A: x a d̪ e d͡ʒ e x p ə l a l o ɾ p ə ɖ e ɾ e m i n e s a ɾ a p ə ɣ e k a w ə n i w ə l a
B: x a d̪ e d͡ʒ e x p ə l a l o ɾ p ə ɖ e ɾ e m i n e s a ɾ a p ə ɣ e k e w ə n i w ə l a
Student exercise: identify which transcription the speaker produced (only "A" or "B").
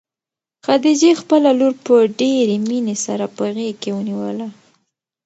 B